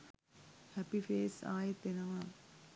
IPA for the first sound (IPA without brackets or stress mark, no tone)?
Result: h